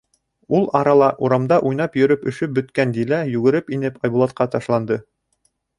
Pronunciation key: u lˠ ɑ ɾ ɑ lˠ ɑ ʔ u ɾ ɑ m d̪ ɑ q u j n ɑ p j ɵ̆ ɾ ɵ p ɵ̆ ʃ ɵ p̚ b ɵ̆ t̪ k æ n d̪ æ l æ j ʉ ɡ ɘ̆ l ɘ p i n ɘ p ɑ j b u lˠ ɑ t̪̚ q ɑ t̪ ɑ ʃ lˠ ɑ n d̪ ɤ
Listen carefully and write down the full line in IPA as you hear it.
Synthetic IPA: u lˠ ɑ ɾ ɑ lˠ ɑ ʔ u ɾ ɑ m d̪ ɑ ʔ u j n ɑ p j ɵ̆ ɾ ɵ p ɵ̆ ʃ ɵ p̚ b ɵ̆ t̪ k æ n d̪ i l æ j ʉ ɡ ɘ̆ ɾ ɘ p i n ɘ p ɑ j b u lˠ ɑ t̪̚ q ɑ t̪ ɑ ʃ lˠ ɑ n d̪ ɤ